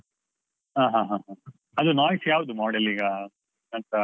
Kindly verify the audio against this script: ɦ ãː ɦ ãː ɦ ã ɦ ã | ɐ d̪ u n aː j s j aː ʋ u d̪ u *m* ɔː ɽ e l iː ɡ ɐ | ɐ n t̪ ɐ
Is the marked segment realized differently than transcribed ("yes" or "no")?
no